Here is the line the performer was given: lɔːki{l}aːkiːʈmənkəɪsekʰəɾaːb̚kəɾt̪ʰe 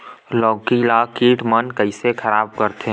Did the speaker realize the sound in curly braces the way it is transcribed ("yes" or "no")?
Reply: yes